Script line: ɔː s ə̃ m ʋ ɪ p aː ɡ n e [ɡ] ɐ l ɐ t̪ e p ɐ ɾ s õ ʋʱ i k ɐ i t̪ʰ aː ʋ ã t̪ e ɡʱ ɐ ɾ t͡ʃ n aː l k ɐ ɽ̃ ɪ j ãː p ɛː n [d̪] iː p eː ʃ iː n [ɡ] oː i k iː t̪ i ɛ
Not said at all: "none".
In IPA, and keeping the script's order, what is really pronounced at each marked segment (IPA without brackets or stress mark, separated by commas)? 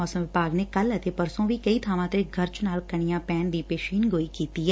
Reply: k, d̪, ɡ